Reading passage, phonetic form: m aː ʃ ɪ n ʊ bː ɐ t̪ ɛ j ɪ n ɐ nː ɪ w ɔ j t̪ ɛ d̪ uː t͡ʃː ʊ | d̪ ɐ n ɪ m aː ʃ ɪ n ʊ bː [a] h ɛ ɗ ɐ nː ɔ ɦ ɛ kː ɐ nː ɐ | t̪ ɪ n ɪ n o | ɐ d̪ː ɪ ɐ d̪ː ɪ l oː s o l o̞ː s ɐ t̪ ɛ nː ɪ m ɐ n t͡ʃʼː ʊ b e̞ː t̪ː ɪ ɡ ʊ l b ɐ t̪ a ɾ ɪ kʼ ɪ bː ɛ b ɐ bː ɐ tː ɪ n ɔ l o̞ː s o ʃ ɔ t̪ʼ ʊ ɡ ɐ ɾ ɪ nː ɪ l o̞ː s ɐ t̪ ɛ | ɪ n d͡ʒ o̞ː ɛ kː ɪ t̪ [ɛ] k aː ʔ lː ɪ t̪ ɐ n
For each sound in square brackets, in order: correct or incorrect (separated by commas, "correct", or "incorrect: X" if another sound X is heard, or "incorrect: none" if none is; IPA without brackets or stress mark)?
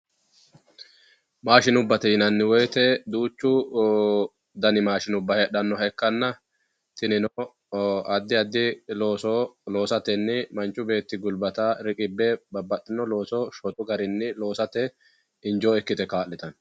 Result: incorrect: ɐ, correct